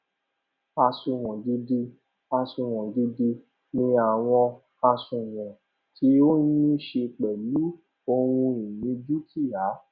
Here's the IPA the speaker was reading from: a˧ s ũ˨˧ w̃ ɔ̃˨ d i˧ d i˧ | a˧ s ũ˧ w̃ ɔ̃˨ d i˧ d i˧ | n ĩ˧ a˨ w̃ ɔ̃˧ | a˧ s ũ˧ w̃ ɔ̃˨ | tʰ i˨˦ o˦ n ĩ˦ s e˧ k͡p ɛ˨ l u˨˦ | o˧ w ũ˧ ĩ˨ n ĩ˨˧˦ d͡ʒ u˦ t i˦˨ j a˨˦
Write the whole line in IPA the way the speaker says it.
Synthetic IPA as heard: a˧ s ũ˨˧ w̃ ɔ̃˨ d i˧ d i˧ | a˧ s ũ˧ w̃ ɔ̃˨ d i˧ d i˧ | n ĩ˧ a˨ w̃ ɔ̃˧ | a˧ s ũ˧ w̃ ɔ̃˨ | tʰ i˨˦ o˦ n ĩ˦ ʃ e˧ k͡p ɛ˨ l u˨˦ | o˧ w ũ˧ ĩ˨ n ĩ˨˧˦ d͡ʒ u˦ t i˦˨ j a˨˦